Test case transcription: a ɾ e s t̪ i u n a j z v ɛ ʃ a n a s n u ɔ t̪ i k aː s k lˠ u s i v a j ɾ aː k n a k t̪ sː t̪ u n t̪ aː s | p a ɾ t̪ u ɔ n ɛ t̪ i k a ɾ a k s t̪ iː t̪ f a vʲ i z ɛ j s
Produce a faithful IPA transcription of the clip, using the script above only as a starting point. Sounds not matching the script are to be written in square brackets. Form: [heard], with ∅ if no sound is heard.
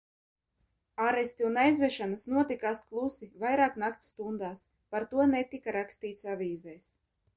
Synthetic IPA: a ɾ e s t̪ i u n a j z v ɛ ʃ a n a s n u ɔ t̪ i k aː s k lˠ u s i v a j ɾ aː k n a k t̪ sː t̪ u n [d̪] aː s | p a ɾ t̪ u ɔ n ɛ t̪ i k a ɾ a k s t̪ iː t̪ [s] a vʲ [iː] z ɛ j s